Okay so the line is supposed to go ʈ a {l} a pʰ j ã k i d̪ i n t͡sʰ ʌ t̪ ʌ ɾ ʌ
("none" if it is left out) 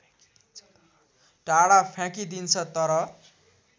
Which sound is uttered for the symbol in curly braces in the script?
ɽ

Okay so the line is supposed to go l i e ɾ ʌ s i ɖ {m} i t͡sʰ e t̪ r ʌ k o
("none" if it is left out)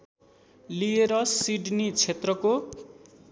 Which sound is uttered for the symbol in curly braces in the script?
n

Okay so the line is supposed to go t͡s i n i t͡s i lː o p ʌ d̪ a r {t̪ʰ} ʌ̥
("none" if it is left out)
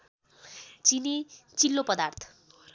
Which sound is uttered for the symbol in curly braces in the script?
t̪ʰ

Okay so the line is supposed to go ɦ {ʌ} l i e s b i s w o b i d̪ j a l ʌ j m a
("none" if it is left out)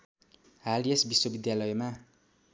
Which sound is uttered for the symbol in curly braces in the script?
a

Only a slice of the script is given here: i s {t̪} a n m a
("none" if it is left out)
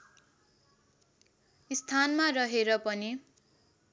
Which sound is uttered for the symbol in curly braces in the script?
t̪ʰ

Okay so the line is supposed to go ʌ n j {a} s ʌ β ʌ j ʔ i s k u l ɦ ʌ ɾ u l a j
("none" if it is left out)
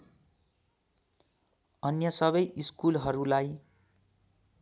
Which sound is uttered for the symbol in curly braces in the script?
ʌ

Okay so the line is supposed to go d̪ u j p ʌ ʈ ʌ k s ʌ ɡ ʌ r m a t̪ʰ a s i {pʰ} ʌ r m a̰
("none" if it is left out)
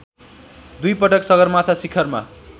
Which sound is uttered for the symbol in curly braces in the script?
kʰ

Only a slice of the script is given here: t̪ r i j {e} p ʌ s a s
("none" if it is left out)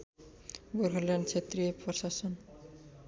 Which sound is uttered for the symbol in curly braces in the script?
e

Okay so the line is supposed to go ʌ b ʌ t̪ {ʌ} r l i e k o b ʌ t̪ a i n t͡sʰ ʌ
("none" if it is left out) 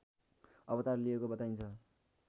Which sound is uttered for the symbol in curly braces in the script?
a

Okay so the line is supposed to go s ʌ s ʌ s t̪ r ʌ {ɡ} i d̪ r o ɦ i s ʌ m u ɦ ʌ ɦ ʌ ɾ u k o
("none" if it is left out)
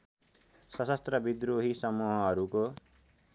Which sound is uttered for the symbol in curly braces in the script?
b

